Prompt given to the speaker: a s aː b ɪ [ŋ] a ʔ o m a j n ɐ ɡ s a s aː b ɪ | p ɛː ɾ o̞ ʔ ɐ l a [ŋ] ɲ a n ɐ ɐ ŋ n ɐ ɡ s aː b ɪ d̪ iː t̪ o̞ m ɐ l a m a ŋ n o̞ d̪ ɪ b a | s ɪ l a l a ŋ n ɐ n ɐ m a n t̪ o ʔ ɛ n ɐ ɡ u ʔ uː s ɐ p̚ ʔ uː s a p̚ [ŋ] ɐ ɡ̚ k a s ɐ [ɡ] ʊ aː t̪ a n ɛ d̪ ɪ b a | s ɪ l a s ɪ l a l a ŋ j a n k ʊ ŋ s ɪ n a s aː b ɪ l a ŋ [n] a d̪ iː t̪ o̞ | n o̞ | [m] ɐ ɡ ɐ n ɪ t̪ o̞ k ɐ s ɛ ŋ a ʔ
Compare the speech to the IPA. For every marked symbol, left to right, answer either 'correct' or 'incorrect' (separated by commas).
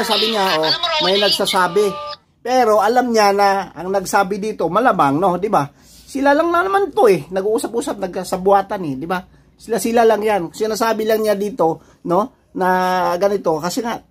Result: incorrect, incorrect, incorrect, incorrect, incorrect, incorrect